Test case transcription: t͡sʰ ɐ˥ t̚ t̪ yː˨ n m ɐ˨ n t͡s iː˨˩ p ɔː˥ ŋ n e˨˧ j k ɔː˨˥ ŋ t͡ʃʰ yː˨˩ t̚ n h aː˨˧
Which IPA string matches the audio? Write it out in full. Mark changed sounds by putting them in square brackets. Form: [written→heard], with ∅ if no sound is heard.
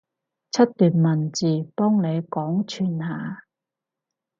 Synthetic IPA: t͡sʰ ɐ˥ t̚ t̪ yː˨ n m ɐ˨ n t͡s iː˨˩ p ɔː˥ ŋ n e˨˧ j k ɔː˨˥ ŋ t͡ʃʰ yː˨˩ [t̚→∅] n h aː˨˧